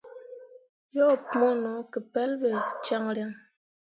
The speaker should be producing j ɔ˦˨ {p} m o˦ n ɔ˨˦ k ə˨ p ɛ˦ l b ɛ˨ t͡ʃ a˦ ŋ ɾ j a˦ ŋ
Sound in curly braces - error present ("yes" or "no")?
no